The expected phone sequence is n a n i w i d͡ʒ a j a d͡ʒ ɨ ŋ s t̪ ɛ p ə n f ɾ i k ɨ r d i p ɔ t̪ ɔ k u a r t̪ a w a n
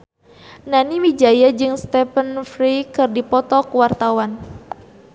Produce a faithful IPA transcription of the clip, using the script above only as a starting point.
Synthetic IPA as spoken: n a n i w i d͡ʒ a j a d͡ʒ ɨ ŋ s t̪ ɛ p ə n f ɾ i k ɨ r d i p ɔ t̪ ɔ k w a r t̪ a w a n